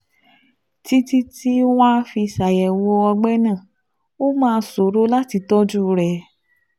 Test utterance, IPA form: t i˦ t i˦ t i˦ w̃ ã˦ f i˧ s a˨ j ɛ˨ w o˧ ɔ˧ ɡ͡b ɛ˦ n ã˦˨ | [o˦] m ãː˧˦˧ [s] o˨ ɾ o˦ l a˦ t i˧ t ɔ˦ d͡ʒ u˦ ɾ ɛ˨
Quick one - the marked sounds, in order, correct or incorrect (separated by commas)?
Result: correct, correct